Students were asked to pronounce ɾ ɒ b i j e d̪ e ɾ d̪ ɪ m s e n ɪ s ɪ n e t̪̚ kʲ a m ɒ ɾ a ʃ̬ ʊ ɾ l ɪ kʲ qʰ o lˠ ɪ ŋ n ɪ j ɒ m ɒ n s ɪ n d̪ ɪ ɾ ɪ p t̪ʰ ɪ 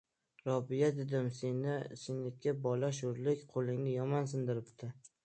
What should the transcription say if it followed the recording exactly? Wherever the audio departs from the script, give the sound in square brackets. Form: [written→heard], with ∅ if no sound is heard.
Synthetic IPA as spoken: ɾ ɒ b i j [e→a] d̪ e [ɾ→∅] d̪ ɪ m s e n ɪ s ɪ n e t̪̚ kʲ a [m→b] ɒ [ɾ→l] a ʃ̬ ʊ ɾ l ɪ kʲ qʰ o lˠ ɪ ŋ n ɪ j ɒ m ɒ n s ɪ n d̪ ɪ ɾ ɪ p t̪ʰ ɪ